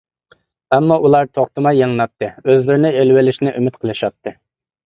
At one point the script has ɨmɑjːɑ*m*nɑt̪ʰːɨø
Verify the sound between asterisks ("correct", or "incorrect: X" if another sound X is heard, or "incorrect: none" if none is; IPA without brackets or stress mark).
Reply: incorrect: ŋ